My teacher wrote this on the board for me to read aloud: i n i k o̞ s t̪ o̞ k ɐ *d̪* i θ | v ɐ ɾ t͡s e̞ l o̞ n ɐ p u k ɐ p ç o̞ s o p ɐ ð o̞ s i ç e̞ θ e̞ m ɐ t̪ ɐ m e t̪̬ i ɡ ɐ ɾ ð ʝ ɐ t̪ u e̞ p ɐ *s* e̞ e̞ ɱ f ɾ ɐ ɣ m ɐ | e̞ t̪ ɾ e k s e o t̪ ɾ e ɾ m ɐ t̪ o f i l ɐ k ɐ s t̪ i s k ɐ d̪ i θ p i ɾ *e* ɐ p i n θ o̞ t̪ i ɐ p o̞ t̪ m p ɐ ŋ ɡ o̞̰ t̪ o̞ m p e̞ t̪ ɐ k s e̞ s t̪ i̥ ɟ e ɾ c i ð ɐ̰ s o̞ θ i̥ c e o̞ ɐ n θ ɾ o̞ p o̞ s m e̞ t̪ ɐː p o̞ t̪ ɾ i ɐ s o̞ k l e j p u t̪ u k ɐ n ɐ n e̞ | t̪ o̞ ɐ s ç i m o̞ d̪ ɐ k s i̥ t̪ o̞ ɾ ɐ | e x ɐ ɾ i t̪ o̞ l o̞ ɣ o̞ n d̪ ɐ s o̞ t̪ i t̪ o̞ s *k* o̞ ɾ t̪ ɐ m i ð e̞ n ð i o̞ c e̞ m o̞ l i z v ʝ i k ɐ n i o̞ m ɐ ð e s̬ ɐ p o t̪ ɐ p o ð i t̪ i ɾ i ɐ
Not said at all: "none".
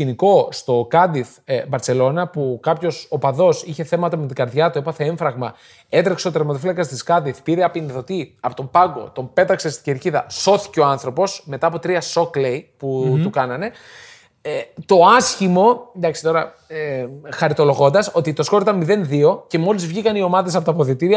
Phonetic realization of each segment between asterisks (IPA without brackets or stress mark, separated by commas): d̪, θ, e, k